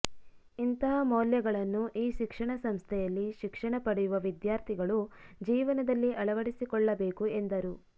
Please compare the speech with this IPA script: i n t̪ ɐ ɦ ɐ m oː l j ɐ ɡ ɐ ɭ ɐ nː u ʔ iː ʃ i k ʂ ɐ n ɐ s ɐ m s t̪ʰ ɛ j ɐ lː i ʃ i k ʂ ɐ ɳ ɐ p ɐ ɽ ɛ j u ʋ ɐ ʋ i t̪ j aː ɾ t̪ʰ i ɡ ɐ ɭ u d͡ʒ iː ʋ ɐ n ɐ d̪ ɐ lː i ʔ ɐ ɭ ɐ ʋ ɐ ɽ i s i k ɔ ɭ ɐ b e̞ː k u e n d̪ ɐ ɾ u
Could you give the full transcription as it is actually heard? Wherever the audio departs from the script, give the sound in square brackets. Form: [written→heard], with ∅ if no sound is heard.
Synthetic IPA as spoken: i n t̪ ɐ ɦ ɐ m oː l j ɐ ɡ ɐ ɭ ɐ nː u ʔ iː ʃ i k ʂ ɐ [n→ɳ] ɐ s ɐ m s t̪ʰ ɛ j ɐ lː i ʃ i k ʂ ɐ ɳ ɐ p ɐ ɽ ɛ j u ʋ ɐ ʋ i [t̪→d̪] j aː ɾ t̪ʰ i ɡ ɐ ɭ u d͡ʒ iː ʋ ɐ n ɐ d̪ ɐ lː i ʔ ɐ ɭ ɐ ʋ ɐ ɽ i s i k ɔ [ɭ→ɭː] ɐ b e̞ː k u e n d̪ ɐ ɾ u